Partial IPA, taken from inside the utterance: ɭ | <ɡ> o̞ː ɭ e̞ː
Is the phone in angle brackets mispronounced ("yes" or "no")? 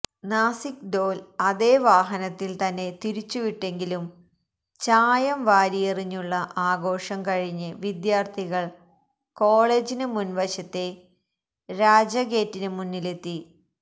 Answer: yes